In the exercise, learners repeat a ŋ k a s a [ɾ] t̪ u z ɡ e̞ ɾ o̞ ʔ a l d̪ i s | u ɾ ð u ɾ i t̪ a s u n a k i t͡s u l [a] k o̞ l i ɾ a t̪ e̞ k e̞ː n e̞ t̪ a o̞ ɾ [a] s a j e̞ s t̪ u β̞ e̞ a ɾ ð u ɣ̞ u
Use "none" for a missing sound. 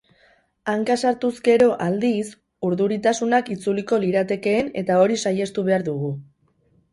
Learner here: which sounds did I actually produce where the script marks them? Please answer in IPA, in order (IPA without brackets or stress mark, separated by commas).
ɾ, i, i